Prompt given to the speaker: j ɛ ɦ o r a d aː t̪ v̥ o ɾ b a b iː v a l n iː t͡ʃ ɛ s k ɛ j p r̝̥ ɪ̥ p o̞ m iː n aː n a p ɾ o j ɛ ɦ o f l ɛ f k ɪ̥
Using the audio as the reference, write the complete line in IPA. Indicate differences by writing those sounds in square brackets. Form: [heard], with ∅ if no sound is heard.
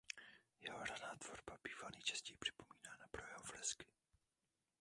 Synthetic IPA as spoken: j ɛ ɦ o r a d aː t̪ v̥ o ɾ b a b iː v a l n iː t͡ʃ ɛ s [c] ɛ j p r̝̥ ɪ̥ p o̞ m iː n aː n a p ɾ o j ɛ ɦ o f l ɛ [s] k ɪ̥